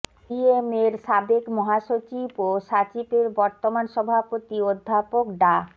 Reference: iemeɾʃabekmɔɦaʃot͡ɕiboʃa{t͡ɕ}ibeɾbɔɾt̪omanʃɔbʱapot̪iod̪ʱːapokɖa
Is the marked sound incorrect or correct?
correct